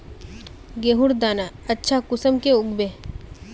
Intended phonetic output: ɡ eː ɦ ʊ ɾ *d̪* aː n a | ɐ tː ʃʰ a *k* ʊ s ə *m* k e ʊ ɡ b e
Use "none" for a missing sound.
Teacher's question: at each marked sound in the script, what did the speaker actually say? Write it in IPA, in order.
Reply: d̪, k, m

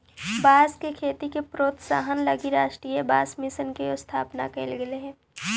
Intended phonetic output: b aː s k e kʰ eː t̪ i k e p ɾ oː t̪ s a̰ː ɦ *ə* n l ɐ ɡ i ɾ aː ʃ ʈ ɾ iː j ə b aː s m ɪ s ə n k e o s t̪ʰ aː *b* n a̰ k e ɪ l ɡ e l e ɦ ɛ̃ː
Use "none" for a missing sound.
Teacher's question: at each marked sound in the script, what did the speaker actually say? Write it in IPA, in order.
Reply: ə, p

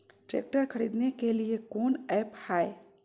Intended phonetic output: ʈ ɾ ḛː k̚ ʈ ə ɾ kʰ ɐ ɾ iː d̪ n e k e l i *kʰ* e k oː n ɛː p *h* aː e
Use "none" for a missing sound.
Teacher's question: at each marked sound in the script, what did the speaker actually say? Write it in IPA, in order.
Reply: none, h

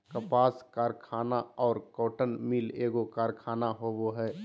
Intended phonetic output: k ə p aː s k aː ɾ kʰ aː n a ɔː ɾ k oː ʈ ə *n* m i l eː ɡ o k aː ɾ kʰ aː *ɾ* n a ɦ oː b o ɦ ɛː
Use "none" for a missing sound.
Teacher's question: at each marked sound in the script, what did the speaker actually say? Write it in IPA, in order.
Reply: n, none

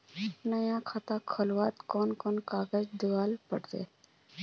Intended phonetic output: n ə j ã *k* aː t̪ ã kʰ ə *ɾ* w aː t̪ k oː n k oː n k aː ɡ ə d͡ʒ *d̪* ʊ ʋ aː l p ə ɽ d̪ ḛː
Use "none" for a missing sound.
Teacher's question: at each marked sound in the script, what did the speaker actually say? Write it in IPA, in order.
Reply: kʰ, l, d̪

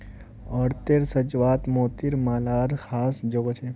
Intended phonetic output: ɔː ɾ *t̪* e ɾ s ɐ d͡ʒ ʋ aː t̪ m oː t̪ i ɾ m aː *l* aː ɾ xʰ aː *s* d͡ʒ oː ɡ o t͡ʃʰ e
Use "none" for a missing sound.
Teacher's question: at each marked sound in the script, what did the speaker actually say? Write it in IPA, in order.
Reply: t̪, l, s

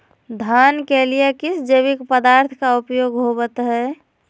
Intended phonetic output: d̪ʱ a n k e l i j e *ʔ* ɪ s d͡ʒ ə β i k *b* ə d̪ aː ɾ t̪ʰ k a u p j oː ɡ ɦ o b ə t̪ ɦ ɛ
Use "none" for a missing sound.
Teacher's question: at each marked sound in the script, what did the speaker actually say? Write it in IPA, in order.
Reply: k, p

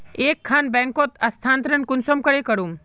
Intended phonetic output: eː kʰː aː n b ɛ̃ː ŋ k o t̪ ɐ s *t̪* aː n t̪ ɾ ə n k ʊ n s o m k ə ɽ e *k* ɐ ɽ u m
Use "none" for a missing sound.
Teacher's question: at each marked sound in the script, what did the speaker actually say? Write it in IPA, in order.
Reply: t̪ʰ, k

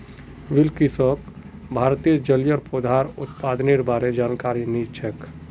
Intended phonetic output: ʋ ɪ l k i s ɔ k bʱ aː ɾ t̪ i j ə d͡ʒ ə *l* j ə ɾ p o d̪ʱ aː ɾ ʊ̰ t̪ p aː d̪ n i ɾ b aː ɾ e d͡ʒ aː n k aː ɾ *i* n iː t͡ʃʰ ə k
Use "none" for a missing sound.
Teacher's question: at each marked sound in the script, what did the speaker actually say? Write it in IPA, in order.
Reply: l, i

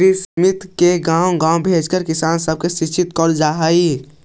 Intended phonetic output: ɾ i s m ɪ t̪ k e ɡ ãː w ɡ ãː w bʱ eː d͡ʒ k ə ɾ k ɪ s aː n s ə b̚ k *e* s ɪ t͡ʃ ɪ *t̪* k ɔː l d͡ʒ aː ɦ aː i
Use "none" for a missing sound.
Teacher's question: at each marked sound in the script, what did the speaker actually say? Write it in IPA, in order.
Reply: e, t̪

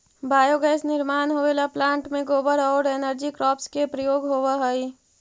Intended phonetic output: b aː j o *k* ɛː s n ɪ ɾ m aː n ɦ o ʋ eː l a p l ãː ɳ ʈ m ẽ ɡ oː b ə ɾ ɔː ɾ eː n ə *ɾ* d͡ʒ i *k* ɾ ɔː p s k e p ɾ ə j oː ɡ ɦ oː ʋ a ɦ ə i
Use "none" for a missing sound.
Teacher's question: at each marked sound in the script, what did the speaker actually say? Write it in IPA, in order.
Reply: ɡ, ɾ, k

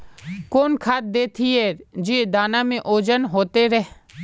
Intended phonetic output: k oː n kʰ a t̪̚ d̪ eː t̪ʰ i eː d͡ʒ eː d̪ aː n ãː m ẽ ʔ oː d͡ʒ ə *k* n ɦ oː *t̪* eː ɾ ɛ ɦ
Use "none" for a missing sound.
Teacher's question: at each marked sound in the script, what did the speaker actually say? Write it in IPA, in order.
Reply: none, t̪

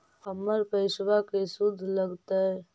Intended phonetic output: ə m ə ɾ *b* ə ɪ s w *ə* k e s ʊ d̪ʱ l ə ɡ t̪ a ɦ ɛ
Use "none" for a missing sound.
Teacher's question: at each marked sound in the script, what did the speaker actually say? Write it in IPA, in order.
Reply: p, a

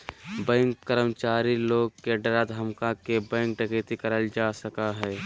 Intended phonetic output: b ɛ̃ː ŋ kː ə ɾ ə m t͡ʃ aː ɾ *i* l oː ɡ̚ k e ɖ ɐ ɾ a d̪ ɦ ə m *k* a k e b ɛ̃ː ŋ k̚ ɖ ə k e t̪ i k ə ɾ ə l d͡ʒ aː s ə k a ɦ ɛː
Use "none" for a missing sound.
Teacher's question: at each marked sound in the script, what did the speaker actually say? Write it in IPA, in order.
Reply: i, k

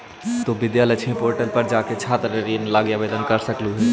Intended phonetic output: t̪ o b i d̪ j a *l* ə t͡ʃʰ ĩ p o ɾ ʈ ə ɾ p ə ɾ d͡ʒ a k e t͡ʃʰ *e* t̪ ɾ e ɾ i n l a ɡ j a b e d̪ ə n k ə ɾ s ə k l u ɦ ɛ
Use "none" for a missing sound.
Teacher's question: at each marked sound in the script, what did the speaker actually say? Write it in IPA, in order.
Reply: l, a

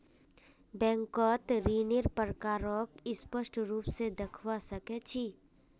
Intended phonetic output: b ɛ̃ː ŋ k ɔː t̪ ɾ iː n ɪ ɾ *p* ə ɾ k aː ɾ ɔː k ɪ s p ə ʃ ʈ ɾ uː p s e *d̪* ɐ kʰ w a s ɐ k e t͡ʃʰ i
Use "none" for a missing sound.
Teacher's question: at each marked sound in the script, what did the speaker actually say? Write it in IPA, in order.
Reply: p, d̪

